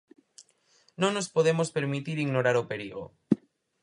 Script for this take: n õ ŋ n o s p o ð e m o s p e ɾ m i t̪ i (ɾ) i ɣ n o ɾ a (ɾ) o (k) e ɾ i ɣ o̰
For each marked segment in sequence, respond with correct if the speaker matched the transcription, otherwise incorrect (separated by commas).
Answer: correct, correct, incorrect